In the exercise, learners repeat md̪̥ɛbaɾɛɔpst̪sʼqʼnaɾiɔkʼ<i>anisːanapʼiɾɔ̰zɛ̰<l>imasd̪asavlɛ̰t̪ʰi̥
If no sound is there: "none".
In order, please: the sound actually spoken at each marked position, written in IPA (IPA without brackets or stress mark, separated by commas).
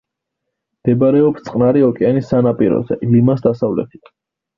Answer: ɛ, l